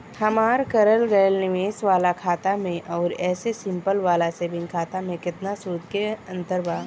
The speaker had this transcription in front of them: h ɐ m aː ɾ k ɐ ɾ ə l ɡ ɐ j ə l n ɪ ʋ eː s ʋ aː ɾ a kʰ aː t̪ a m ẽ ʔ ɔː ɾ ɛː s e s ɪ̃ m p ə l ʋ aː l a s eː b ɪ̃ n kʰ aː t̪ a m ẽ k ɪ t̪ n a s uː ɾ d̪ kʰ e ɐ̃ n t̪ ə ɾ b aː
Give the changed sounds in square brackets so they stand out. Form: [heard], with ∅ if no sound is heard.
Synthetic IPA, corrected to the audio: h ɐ m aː ɾ k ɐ ɾ ə l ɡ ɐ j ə l n ɪ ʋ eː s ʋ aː [l] a kʰ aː t̪ a m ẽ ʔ ɔː ɾ ɛː s e s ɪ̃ m p ə l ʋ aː l a s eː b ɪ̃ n kʰ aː t̪ a m ẽ k ɪ t̪ n a s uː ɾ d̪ [k] e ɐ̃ n t̪ ə ɾ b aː